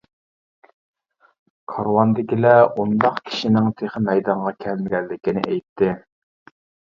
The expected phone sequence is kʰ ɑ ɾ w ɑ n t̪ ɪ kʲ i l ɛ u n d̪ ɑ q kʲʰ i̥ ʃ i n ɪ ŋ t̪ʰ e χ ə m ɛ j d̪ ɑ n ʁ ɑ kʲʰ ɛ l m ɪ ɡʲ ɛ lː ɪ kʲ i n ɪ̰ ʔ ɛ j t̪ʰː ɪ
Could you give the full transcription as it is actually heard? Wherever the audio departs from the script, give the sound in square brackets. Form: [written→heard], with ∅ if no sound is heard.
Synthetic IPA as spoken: kʰ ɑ ɾ w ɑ n [t̪→d̪] ɪ kʲ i l ɛ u n d̪ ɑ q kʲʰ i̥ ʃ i n ɪ ŋ t̪ʰ e χ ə m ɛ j d̪ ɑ [n→ɴ] ʁ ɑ kʲʰ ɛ l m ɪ ɡʲ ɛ lː ɪ kʲ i n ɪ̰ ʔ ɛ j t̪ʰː ɪ